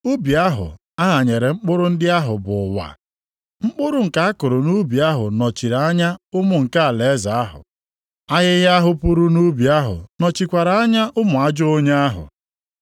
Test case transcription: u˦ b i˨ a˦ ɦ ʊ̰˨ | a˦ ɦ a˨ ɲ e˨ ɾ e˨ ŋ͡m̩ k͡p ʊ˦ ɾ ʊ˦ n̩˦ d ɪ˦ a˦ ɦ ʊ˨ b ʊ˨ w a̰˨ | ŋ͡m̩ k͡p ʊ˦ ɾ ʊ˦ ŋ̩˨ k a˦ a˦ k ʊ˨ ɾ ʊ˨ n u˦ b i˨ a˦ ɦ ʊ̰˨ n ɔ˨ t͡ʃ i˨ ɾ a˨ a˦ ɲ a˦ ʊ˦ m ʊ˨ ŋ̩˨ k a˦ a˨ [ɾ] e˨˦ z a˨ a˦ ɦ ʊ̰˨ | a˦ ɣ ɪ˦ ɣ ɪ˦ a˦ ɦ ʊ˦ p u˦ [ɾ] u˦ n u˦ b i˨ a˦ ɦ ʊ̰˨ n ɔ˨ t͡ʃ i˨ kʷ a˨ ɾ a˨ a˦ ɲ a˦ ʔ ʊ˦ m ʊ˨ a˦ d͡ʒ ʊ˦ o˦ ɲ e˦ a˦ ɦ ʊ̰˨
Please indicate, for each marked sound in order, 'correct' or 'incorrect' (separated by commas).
incorrect, correct